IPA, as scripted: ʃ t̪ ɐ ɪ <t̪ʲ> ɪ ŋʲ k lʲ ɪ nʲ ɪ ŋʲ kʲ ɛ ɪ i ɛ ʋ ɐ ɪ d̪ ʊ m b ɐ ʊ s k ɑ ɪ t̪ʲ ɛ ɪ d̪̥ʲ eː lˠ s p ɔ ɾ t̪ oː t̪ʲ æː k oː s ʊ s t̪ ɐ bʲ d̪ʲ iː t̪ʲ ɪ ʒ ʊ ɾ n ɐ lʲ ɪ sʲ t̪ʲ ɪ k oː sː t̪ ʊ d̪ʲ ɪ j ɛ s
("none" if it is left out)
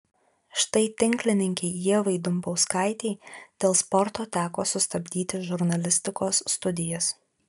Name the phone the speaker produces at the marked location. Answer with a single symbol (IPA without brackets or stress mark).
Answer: t̪ʲ